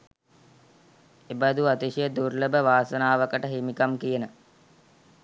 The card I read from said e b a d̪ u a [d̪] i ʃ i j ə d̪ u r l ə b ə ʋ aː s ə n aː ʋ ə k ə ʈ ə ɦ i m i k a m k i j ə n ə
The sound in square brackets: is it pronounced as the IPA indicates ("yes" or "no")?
no